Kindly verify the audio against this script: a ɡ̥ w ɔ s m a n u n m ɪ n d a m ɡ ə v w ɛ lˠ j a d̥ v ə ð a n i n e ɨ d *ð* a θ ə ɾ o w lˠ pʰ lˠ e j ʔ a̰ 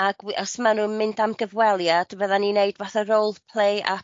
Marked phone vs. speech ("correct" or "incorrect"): incorrect